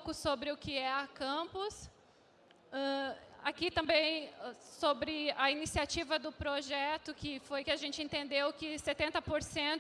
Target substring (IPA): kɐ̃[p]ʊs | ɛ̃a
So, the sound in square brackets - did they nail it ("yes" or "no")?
yes